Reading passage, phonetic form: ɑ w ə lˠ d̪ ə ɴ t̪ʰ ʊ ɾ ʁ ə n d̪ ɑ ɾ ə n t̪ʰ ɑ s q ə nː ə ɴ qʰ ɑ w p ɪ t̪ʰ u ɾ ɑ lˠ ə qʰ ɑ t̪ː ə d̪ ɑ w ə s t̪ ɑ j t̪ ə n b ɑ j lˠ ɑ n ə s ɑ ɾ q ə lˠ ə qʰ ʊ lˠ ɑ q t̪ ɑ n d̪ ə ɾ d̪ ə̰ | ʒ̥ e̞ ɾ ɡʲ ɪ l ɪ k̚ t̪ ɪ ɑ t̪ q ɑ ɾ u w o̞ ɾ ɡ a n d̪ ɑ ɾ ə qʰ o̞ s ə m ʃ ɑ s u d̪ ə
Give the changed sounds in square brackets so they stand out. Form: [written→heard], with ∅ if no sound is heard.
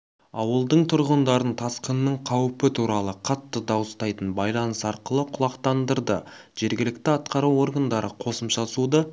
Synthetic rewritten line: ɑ w ə lˠ d̪ ə ɴ t̪ʰ ʊ ɾ ʁ ə n d̪ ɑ ɾ ə n t̪ʰ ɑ s q ə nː ə ɴ qʰ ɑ w p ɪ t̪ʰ u ɾ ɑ lˠ ə qʰ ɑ t̪ː ə d̪ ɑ w ə s t̪ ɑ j t̪ ə n b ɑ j lˠ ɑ n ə s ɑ ɾ q ə lˠ ə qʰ ʊ lˠ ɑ q t̪ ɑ n d̪ ə ɾ d̪ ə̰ | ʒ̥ e̞ ɾ ɡʲ ɪ l ɪ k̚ t̪ ɪ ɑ t̪ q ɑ ɾ u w o̞ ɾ ɡ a n d̪ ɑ ɾ ə qʰ o̞ s ə m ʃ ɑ s u d̪ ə